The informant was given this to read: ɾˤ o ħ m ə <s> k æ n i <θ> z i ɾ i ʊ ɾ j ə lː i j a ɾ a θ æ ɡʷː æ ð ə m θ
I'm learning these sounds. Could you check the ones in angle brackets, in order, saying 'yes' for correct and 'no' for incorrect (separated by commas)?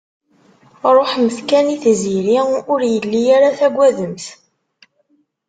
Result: no, yes